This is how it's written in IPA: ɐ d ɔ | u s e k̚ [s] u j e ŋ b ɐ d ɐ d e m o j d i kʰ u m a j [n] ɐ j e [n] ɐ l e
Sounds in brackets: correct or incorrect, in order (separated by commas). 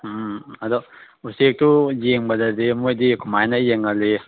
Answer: incorrect, correct, incorrect